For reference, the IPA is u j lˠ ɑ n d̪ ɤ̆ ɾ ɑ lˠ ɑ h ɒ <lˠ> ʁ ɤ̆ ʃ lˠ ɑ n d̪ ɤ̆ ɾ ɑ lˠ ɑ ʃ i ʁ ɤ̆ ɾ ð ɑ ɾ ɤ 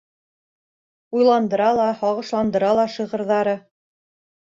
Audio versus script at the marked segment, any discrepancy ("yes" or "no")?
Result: yes